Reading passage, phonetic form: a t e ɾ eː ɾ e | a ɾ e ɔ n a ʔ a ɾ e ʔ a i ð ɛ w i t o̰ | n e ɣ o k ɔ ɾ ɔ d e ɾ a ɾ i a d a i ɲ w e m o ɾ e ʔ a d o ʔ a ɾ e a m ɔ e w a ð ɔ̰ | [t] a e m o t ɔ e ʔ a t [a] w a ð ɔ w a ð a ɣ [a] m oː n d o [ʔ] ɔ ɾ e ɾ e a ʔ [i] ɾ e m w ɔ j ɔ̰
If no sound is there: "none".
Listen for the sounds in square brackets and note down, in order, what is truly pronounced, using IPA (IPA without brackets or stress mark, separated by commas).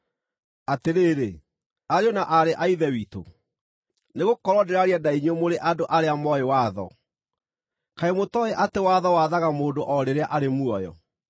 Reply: k, e, a, ʔ, a